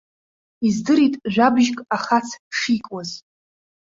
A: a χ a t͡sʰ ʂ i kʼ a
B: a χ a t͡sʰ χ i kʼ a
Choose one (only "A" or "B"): A